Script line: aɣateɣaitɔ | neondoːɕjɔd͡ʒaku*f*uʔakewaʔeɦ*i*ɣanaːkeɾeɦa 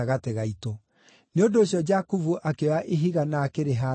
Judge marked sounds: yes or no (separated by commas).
no, yes